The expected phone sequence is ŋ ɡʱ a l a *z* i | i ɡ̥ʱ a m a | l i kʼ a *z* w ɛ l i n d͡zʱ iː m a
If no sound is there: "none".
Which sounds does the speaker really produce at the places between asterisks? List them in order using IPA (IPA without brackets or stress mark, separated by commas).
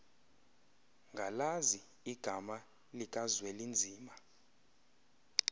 z, z